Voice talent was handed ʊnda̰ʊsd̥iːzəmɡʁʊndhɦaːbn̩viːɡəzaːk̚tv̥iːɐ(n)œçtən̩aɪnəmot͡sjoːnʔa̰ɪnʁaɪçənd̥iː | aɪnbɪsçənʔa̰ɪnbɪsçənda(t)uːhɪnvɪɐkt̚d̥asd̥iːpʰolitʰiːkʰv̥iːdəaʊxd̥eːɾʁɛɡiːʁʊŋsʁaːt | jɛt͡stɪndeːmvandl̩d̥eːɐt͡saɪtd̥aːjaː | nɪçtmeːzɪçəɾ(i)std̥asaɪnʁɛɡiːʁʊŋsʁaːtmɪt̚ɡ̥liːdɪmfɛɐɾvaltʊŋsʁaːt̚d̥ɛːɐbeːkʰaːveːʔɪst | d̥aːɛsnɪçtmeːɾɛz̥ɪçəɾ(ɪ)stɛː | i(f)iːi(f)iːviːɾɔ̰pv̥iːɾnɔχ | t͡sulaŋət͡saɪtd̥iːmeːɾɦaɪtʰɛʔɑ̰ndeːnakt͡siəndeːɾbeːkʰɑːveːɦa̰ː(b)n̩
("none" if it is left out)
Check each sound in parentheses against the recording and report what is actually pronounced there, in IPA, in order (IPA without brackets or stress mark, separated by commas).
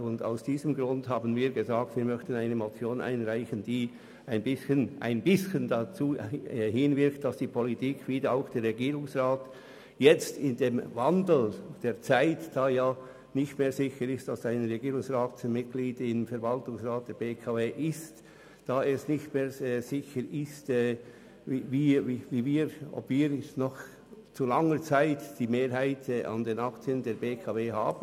m, t͡s, ɪ, ɪ, v, v, b